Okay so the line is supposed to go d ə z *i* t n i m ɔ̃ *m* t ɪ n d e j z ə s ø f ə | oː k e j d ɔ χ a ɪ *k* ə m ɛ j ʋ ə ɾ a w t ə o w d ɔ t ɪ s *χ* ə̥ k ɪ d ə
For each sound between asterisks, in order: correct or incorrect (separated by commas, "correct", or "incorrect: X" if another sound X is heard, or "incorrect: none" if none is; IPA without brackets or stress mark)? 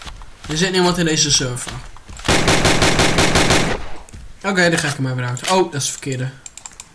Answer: incorrect: ɪ, incorrect: n, correct, incorrect: f